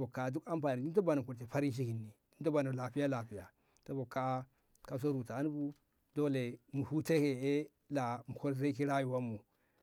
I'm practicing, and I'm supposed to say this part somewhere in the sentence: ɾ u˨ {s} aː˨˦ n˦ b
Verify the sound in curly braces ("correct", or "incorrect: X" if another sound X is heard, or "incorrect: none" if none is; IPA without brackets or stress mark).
incorrect: t